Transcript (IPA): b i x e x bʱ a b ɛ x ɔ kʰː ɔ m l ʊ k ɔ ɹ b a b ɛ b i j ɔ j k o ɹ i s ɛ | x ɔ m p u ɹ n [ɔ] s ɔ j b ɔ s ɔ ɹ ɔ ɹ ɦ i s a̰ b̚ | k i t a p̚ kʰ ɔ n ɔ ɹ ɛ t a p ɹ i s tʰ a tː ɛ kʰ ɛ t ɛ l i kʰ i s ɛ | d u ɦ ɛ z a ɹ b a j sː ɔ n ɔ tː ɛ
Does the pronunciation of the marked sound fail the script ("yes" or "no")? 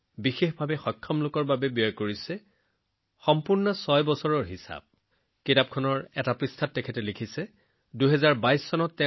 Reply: no